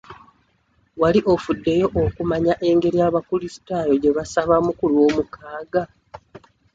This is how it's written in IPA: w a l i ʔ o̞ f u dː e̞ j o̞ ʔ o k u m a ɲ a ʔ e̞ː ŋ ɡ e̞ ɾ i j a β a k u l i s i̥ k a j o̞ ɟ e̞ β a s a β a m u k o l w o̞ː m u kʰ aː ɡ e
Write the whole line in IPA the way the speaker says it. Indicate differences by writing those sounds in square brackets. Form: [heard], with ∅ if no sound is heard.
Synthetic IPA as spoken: w a l i ʔ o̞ f u dː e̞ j o̞ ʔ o k u m a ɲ a ʔ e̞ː ŋ ɡ e̞ ɾ i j a β a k u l i s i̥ [t] a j o̞ ɟ e̞ β a s a β a m u k [u] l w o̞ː m u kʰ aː ɡ [a]